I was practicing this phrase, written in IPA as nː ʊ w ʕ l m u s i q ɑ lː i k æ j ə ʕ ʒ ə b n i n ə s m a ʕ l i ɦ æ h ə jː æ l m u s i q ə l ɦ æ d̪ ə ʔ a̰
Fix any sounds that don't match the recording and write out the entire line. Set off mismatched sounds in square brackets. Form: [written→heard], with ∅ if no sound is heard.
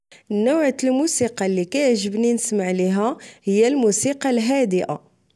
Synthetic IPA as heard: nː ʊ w ʕ l m u s i q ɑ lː i k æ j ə ʕ ʒ ə b n i n ə s m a ʕ l i ɦ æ h ə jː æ l m u s i q [ə→ɑ] l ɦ æ d̪ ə ʔ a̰